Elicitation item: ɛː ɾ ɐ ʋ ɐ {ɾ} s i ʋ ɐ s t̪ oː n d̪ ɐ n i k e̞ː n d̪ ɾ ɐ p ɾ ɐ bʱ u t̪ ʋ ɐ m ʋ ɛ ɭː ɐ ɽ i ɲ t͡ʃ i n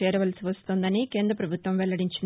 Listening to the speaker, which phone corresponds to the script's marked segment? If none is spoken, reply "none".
l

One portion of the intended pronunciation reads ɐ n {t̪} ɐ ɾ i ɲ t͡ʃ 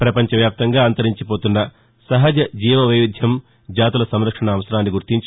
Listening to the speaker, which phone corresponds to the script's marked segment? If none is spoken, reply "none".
t̪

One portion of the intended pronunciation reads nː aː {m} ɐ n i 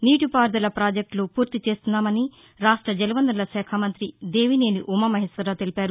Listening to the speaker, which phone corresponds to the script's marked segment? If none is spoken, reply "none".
m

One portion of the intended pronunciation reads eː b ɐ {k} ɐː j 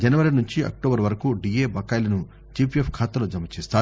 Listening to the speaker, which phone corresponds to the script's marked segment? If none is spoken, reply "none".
k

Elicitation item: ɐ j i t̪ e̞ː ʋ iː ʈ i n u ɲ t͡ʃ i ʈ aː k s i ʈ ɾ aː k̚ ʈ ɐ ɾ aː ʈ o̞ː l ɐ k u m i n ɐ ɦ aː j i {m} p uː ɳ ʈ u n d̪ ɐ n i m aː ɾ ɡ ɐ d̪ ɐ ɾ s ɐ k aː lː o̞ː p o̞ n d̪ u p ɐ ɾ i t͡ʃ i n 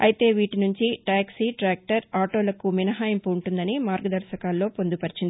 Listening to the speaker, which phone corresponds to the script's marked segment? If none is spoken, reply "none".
m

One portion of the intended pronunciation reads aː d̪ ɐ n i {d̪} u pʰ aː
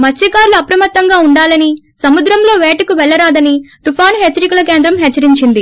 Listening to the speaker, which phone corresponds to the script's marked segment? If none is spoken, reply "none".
t̪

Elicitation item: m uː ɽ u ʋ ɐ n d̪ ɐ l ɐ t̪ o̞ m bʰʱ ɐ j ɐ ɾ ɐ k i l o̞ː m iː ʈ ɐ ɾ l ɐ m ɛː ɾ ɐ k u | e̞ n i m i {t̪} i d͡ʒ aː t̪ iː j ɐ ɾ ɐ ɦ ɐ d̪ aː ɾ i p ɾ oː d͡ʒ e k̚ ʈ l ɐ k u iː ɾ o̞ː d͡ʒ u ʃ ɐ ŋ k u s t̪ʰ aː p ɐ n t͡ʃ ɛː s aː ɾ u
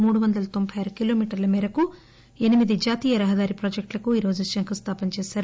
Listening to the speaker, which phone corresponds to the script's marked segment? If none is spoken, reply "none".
d̪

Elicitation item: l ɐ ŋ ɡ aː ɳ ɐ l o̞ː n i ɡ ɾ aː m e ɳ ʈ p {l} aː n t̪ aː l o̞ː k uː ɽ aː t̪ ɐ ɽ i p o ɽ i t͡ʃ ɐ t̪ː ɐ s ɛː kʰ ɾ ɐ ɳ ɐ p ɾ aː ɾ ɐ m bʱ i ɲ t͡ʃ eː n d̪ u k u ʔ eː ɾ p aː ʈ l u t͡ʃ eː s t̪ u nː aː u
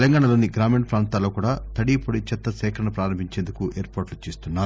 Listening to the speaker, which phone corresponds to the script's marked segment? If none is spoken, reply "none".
ɾ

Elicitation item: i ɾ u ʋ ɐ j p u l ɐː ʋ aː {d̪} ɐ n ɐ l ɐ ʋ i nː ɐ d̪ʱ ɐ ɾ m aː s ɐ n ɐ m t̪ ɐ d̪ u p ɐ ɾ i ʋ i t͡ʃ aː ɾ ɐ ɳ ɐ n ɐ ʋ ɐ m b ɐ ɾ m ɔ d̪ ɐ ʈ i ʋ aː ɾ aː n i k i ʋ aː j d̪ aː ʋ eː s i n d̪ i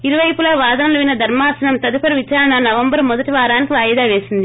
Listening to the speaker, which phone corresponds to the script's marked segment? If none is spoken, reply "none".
d̪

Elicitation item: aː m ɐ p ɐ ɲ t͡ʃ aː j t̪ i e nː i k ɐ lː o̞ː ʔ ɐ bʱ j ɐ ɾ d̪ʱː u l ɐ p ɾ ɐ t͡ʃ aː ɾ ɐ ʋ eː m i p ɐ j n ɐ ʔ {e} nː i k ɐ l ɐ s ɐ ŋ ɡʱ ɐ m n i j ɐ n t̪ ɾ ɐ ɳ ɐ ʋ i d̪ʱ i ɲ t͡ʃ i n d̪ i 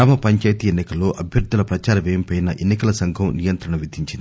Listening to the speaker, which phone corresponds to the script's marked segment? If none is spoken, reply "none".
e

